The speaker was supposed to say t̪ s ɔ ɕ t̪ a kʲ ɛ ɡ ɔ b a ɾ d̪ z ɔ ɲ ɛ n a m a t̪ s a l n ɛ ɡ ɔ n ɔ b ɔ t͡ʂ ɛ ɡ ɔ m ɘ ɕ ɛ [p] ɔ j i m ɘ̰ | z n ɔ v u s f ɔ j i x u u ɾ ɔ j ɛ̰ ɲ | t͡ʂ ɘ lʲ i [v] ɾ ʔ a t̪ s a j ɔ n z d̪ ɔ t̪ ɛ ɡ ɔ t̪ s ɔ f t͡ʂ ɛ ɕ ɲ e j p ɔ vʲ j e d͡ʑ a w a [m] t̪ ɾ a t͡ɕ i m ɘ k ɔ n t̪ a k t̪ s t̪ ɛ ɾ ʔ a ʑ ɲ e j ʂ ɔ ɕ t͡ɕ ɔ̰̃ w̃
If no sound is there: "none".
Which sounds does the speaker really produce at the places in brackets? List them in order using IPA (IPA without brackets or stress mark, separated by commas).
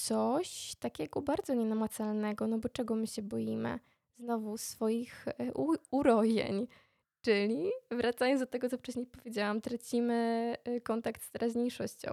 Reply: b, v, m